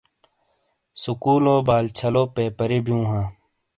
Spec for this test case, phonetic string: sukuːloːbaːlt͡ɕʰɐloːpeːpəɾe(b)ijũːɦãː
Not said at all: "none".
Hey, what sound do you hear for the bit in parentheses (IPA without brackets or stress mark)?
b